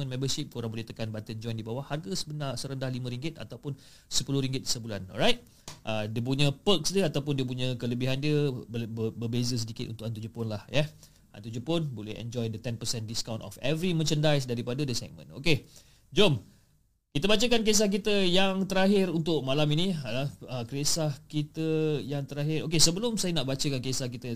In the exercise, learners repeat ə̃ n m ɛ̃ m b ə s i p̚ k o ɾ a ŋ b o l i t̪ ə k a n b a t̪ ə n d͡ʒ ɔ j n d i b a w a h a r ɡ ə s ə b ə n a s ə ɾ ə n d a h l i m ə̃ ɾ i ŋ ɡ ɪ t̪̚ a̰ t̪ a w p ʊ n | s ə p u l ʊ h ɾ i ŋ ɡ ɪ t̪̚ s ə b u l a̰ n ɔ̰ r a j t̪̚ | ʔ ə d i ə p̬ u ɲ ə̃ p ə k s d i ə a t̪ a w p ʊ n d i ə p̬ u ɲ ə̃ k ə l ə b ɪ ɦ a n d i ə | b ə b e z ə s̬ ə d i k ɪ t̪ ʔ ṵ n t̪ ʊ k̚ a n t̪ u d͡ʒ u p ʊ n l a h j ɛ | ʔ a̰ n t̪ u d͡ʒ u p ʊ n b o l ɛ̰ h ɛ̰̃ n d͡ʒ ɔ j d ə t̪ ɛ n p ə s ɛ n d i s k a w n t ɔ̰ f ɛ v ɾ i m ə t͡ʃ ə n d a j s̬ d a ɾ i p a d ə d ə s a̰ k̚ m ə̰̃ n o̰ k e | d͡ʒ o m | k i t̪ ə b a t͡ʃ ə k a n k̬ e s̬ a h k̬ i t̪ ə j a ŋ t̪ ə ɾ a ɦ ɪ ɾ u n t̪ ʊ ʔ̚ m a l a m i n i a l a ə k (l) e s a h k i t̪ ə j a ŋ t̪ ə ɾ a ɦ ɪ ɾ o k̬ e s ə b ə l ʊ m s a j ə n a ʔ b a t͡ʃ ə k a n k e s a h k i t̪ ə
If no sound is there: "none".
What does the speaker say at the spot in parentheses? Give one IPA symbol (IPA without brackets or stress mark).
ɾ